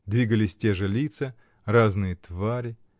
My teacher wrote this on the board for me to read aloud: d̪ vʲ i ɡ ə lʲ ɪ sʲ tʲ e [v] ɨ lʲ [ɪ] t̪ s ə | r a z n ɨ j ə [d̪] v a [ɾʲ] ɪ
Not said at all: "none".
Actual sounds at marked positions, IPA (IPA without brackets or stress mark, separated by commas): ʐ, i, t̪, ɾʲ